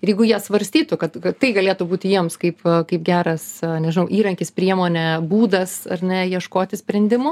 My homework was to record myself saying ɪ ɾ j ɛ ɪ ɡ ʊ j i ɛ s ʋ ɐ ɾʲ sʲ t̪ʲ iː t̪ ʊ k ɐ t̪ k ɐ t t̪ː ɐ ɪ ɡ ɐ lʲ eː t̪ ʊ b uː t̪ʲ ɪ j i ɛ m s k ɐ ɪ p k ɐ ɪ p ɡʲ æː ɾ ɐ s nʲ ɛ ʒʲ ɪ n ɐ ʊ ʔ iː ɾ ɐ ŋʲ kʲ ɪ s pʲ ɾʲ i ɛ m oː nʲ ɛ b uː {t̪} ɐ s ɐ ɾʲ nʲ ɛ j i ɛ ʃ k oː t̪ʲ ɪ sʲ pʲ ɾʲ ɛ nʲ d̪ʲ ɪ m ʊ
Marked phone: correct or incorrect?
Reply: incorrect: d̪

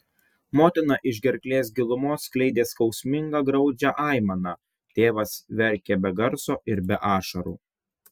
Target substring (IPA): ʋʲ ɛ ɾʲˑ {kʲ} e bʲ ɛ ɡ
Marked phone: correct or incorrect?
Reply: correct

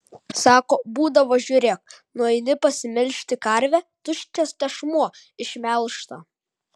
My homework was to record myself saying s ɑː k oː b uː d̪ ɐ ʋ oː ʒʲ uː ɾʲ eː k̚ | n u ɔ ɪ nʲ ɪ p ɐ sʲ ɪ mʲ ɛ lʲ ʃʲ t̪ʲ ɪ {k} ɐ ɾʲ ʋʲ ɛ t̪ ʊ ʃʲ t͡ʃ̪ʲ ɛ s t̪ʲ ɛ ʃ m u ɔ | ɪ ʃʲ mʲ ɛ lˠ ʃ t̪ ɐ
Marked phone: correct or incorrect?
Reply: correct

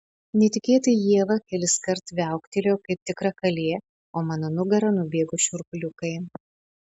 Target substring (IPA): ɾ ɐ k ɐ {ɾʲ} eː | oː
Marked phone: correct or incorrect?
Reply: incorrect: lʲ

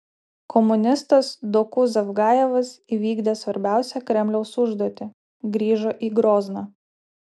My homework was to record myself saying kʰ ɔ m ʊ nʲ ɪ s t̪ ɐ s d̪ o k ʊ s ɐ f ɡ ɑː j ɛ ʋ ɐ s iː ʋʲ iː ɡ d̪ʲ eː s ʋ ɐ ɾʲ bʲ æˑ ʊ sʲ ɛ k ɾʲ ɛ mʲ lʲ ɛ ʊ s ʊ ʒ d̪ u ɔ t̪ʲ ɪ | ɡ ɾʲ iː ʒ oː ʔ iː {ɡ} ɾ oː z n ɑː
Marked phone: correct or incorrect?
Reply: correct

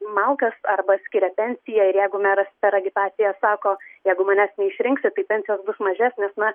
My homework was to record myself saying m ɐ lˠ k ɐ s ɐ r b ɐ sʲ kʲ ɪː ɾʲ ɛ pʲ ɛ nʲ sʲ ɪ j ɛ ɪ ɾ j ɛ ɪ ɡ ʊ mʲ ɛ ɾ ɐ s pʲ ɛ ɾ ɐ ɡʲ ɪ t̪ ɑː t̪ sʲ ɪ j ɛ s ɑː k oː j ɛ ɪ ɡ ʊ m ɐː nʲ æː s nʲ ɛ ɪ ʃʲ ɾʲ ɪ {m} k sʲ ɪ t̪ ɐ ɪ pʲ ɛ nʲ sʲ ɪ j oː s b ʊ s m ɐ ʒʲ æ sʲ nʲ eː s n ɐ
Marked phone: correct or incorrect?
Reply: incorrect: ŋ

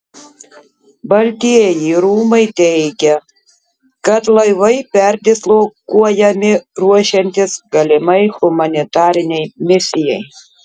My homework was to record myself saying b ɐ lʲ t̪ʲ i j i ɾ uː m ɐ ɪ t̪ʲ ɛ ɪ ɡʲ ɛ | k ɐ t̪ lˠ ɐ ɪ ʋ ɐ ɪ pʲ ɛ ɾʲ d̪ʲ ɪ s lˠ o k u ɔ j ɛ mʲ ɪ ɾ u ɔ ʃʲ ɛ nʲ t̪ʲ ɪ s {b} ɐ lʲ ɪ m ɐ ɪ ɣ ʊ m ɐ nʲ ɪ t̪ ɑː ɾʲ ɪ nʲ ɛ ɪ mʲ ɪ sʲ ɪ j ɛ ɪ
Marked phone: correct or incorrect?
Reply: incorrect: ɡ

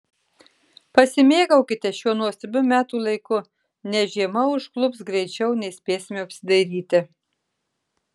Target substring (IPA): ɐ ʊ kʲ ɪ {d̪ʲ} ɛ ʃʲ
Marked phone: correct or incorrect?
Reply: incorrect: t̪ʲ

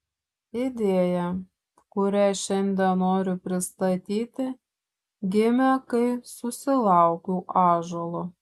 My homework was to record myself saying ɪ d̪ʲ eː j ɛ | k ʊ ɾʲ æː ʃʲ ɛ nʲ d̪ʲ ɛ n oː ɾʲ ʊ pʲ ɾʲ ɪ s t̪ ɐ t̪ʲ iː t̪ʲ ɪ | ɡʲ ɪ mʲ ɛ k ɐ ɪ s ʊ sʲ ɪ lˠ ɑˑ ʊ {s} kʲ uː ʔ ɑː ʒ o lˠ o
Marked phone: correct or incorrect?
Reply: incorrect: none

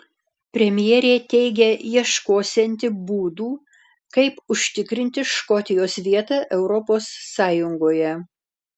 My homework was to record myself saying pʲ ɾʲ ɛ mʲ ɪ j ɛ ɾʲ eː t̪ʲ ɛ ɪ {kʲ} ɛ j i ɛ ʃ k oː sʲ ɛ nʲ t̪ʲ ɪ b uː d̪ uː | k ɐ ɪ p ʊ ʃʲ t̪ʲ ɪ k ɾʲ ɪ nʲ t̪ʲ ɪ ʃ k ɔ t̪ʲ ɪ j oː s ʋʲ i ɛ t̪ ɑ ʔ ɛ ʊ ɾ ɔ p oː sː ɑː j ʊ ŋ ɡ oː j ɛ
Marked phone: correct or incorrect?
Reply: incorrect: ɡʲ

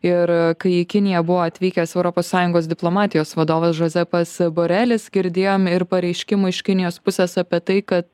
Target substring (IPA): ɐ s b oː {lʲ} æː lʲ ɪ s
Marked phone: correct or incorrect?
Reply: incorrect: ɾʲ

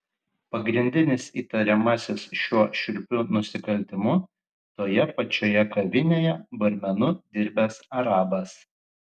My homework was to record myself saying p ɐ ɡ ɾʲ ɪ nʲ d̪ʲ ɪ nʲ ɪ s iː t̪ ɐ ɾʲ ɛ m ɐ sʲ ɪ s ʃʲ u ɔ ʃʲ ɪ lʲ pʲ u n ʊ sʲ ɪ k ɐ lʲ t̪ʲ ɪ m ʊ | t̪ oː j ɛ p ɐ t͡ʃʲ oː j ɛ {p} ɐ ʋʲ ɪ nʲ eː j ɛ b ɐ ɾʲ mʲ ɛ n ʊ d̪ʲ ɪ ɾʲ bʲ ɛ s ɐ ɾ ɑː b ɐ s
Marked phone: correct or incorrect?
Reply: incorrect: k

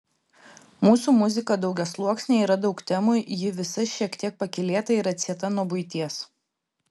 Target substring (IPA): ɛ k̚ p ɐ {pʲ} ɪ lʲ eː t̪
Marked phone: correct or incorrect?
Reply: incorrect: kʲ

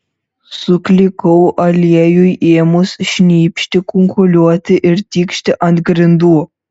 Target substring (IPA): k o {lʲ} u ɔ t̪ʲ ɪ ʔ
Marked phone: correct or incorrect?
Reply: correct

